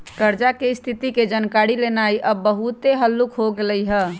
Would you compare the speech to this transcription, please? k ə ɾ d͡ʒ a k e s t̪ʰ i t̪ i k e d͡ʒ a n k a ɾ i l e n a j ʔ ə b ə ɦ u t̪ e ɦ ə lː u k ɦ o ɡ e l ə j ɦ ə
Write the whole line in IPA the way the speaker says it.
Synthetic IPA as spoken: k ə ɾ d͡ʒ a k e s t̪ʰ i t̪ i k e d͡ʒ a n k a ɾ i l e n a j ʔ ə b ə ɦ u t̪ e ɦ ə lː u k ɦ o ɡ e l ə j ɦ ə